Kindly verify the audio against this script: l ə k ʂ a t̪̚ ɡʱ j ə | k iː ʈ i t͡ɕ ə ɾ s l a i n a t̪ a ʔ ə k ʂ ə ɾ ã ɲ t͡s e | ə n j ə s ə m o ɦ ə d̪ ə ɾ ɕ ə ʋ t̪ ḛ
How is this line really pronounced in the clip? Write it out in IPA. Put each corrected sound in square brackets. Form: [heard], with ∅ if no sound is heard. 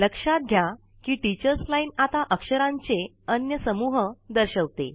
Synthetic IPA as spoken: l ə k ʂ a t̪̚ ɡʱ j [a] | k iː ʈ i t͡ɕ ə ɾ s l a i n a t̪ a ʔ ə k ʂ ə ɾ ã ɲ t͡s e | ə n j ə s ə m [u] ɦ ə d̪ ə ɾ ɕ ə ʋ t̪ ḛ